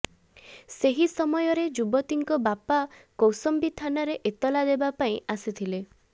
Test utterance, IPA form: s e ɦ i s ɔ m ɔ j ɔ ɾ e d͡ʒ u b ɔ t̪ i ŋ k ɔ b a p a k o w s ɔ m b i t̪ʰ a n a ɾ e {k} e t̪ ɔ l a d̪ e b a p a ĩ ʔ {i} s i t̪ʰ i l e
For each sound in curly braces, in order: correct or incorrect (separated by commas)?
incorrect, incorrect